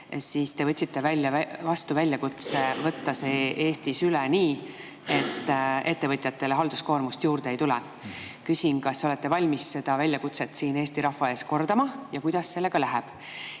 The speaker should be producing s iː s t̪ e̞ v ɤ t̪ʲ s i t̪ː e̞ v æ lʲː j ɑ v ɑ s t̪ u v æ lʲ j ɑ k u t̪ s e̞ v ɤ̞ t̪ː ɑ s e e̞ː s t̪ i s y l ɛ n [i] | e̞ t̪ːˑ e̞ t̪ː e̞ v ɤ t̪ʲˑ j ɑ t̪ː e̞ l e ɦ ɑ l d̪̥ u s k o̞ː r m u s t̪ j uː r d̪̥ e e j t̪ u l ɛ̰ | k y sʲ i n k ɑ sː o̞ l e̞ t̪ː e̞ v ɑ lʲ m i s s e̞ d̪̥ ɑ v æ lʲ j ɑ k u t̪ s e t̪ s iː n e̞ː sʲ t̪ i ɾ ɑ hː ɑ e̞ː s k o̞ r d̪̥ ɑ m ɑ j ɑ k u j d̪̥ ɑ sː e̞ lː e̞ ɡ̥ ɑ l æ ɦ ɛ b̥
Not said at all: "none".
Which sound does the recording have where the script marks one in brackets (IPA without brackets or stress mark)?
iː